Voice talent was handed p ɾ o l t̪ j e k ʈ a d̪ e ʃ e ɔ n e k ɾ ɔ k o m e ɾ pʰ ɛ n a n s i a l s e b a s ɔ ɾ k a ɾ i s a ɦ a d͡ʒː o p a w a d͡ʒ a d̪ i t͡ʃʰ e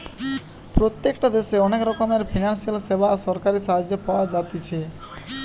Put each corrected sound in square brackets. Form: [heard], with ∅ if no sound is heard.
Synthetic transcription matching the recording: p ɾ o [∅] t̪ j e k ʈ a d̪ e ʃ e ɔ n e k ɾ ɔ k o m e ɾ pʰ [i] n a n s i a l s e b a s ɔ ɾ k a ɾ i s a ɦ a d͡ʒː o p a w a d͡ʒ a [t̪] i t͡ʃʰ e